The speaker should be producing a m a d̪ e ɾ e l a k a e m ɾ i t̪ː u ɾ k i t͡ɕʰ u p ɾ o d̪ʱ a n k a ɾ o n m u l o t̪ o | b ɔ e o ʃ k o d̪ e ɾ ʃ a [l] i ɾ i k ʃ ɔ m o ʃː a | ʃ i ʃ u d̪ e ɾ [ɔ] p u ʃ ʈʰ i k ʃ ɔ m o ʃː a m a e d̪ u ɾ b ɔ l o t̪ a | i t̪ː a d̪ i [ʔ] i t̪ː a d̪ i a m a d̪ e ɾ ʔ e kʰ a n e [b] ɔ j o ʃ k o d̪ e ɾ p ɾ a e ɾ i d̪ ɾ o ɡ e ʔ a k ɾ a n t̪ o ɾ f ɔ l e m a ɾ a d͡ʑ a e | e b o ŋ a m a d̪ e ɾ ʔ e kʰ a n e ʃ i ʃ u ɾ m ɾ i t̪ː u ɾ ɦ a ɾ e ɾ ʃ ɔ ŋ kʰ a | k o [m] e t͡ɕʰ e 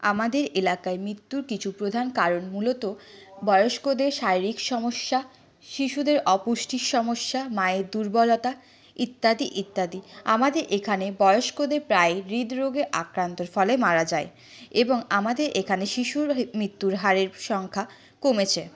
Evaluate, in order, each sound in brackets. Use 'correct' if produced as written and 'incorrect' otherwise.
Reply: incorrect, correct, correct, correct, correct

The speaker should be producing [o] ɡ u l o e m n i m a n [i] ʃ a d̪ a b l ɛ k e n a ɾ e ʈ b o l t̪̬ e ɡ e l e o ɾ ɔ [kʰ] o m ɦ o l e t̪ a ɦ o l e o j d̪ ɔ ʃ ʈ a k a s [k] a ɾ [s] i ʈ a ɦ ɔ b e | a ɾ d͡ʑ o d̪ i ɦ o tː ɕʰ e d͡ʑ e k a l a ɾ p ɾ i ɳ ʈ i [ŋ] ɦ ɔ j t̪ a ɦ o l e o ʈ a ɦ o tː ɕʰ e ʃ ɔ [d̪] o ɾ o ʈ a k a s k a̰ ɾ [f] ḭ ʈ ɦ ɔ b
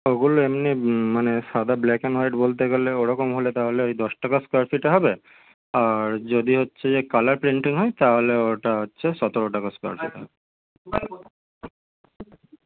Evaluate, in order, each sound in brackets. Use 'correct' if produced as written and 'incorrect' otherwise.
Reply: correct, incorrect, incorrect, correct, incorrect, correct, incorrect, correct

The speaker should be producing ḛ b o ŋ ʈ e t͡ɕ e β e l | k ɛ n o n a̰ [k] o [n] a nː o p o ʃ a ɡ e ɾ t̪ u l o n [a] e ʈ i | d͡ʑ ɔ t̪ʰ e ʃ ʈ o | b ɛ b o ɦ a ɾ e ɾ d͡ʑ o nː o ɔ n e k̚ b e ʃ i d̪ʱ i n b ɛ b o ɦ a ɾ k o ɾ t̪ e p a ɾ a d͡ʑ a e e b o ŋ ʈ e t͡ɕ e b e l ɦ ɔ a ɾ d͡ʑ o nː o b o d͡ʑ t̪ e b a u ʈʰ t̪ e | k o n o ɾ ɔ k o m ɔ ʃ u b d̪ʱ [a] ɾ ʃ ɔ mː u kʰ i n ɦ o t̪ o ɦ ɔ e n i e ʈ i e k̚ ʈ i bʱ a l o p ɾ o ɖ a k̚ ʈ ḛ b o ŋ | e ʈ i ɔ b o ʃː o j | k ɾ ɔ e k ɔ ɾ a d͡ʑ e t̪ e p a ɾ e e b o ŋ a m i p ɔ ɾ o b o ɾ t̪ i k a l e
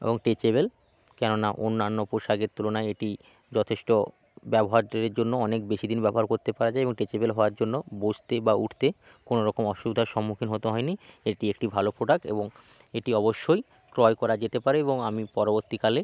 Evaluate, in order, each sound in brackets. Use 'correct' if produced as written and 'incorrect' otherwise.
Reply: incorrect, incorrect, correct, correct

